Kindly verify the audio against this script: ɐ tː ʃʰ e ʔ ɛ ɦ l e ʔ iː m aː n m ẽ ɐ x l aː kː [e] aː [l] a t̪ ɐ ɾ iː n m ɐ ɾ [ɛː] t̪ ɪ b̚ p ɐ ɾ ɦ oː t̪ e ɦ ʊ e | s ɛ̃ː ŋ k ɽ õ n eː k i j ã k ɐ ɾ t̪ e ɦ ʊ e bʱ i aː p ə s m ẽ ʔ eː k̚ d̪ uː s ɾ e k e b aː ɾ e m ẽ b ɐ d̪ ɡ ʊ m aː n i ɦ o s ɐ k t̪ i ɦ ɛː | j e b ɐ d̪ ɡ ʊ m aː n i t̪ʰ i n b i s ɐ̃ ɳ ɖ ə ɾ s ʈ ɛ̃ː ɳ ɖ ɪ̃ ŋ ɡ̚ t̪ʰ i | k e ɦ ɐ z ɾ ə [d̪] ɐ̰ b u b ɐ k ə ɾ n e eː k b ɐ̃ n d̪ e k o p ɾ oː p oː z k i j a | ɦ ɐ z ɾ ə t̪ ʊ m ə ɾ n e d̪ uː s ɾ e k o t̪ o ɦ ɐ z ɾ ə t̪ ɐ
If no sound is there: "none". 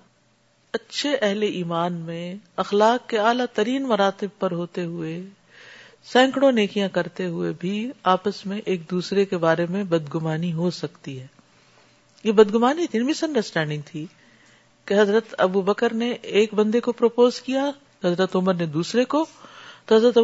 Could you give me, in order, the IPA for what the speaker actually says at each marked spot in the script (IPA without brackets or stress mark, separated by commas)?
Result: e, l, aː, t̪